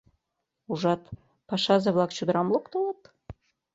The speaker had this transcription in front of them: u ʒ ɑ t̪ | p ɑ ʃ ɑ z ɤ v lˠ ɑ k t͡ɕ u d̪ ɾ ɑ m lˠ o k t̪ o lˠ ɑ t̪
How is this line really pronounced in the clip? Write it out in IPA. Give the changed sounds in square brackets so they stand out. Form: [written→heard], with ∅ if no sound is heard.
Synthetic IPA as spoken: u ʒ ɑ t̪ | p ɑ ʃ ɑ z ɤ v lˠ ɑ k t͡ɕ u d̪ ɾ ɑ m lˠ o k t̪ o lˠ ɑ t̪